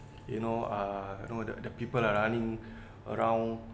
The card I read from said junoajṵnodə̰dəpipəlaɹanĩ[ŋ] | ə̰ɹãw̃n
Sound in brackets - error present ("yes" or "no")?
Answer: no